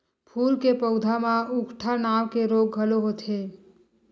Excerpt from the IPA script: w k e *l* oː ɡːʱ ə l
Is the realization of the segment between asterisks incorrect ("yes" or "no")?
yes